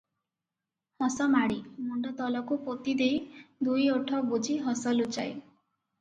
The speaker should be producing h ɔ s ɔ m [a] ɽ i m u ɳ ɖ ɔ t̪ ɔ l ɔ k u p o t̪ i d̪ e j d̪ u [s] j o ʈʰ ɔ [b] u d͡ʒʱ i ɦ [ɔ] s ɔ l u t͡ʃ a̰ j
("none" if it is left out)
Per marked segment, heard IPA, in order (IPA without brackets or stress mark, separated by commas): a, none, b, ɔ